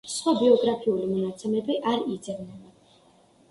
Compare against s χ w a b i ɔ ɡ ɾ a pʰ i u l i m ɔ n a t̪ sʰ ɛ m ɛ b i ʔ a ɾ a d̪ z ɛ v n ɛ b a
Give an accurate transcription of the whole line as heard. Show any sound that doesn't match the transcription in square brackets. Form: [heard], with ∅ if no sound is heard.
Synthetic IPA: s χ w a b i ɔ ɡ ɾ a pʰ i u l i m ɔ n a t̪ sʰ ɛ m ɛ b i ʔ a ɾ [i] d̪ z ɛ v n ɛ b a